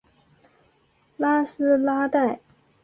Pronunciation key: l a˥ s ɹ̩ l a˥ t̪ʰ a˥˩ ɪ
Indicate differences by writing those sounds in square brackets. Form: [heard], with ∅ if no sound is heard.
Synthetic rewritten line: l a˥ s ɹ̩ l a˥ [t̪] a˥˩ ɪ